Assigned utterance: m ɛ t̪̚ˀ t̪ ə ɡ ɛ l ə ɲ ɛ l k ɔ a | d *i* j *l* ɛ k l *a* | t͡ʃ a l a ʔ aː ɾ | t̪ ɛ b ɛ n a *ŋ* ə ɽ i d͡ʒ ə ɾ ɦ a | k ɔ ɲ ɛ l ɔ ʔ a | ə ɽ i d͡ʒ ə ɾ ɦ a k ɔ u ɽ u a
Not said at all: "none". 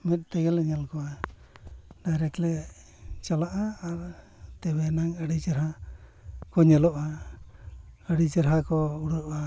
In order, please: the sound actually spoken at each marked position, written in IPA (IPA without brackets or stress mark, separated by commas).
a, ɾ, ɛ, ŋ